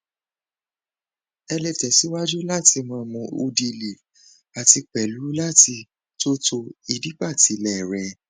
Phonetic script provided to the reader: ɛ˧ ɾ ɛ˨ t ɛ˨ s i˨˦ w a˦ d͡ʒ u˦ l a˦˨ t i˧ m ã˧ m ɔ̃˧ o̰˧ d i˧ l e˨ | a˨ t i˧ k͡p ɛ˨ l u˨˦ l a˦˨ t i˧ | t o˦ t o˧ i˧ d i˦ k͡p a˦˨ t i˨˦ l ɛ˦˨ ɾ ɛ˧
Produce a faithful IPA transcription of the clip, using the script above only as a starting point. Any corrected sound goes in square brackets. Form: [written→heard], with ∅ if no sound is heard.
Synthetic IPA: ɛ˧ [ɾ→l] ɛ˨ t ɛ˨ s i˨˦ w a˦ d͡ʒ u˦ l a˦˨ t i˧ m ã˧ m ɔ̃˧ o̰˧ d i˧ l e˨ | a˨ t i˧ k͡p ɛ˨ l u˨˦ l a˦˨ t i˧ | t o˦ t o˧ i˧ d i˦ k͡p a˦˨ t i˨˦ l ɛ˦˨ ɾ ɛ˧